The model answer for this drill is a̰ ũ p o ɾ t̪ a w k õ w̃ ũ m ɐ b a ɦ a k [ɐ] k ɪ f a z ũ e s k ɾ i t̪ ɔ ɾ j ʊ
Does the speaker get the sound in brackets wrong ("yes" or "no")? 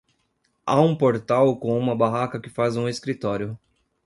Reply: no